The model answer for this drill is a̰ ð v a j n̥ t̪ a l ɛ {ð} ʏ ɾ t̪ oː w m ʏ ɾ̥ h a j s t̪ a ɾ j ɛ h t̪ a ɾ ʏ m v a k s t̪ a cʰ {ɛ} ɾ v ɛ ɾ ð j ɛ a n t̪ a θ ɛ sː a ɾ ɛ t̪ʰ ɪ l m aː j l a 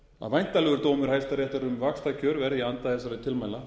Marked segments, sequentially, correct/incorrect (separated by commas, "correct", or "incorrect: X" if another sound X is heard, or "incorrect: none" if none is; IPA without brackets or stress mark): incorrect: ɣ, incorrect: œ